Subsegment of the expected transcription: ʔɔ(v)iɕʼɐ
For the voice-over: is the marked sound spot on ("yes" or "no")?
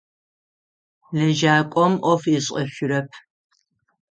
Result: no